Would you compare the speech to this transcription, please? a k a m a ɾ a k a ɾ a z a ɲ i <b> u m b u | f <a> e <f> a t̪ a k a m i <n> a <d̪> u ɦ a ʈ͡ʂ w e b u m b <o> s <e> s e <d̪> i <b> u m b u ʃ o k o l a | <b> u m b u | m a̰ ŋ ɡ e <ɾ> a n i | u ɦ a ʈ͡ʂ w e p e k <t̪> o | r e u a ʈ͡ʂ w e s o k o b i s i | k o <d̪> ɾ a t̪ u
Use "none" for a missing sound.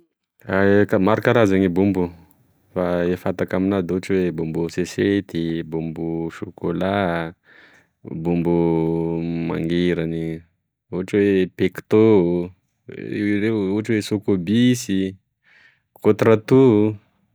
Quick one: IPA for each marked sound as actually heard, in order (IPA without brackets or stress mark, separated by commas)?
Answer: b, a, f, n, d̪, u, e, t̪, b, b, ɾ, t̪, t̪